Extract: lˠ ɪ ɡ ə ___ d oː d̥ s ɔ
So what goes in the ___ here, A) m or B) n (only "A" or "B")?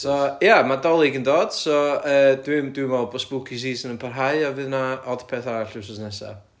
B